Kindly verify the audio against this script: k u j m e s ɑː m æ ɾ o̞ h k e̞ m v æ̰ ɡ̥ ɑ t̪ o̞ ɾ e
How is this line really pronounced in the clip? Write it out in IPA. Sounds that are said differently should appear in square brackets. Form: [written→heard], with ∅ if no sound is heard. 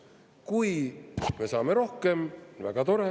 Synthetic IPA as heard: k u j m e s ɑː m [æ→e] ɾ o̞ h k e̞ m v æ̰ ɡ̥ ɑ t̪ o̞ ɾ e